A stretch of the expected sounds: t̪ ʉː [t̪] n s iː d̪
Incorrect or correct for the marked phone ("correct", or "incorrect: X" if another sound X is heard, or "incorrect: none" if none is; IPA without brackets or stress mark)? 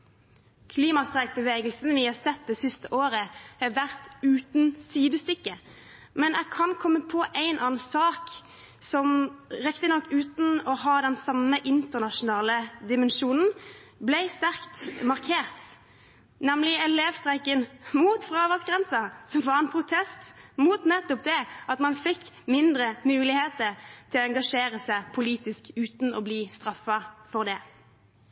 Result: correct